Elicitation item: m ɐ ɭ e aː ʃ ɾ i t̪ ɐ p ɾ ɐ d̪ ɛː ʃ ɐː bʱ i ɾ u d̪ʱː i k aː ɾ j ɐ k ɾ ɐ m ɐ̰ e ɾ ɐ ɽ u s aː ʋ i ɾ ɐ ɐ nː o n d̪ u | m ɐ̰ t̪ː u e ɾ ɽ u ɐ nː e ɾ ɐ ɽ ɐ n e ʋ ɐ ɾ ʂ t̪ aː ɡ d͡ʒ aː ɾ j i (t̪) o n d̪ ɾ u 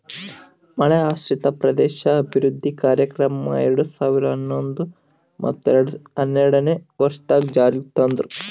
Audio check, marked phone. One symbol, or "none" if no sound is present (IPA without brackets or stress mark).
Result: t̪